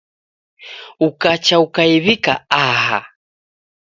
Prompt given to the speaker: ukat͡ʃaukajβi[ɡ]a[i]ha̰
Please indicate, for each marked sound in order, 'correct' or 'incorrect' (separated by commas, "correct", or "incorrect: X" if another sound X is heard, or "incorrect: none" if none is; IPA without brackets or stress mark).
incorrect: k, incorrect: a